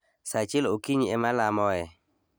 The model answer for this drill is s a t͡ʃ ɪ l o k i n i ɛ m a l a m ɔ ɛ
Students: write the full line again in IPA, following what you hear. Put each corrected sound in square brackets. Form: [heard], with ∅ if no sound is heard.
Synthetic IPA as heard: s a t͡ʃ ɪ l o k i [ɲ] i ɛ m a l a m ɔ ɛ